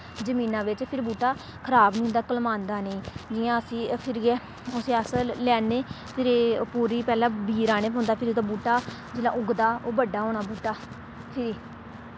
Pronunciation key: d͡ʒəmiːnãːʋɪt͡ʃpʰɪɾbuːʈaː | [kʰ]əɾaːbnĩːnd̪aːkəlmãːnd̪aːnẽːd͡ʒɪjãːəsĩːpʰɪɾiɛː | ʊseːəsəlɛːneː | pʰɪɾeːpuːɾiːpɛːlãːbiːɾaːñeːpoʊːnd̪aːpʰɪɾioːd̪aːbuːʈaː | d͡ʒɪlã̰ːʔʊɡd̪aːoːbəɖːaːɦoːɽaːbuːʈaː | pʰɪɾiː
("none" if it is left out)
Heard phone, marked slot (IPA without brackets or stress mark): kʰ